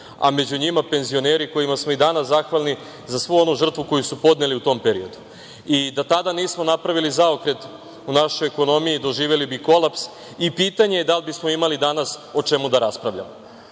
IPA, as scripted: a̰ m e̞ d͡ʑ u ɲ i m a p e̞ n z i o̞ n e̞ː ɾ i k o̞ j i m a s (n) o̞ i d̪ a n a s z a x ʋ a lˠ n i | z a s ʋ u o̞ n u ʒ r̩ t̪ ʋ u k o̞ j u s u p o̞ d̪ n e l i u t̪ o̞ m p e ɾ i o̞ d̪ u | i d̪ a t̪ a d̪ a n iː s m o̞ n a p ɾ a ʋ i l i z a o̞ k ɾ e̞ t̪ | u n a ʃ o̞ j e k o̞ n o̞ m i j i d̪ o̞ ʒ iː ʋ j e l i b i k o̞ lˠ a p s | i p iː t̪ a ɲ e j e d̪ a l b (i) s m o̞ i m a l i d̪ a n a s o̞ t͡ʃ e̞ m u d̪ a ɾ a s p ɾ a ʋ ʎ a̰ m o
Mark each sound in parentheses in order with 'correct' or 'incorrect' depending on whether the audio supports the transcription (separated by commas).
incorrect, correct